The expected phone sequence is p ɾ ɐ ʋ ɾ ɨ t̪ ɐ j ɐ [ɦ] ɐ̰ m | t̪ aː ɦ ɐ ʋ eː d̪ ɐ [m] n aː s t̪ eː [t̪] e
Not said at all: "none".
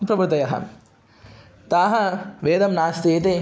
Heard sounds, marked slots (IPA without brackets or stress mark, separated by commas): ɦ, m, t̪